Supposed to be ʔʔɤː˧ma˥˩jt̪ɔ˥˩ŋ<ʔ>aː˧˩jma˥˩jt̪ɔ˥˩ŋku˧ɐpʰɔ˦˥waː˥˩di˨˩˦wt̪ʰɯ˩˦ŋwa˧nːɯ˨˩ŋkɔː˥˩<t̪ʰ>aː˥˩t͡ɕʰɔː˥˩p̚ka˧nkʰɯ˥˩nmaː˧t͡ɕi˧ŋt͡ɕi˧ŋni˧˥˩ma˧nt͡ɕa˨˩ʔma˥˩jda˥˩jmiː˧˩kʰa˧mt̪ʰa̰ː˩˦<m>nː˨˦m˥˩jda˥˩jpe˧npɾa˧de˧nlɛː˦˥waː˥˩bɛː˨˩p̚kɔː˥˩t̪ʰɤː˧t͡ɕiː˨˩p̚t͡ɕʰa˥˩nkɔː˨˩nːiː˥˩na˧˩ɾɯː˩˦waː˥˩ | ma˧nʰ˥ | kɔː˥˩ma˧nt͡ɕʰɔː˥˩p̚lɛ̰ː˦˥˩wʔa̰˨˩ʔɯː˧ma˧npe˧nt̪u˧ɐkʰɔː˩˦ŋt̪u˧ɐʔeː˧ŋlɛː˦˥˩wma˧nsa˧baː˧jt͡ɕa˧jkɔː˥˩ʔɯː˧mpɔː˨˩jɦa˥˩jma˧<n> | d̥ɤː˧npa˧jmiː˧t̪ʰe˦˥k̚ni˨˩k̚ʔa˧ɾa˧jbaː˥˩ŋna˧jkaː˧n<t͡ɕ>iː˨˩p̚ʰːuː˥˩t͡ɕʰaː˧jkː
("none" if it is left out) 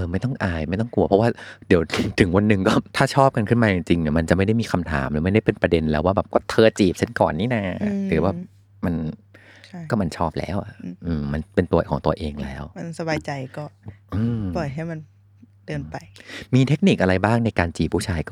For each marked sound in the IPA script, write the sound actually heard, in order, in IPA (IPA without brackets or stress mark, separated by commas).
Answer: ʔ, t̪ʰ, m, n, t͡ɕ